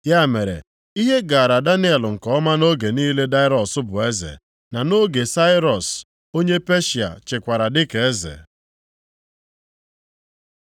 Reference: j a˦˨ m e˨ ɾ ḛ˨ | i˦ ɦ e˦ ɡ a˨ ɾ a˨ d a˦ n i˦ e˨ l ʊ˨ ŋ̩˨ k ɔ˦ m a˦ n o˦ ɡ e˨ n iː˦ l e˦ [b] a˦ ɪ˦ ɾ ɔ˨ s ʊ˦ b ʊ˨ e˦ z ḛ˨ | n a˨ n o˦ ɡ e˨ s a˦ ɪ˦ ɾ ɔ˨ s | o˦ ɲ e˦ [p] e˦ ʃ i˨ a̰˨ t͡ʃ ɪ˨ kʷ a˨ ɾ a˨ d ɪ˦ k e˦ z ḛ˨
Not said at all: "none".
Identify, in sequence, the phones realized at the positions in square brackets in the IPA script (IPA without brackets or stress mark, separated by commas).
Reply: d, p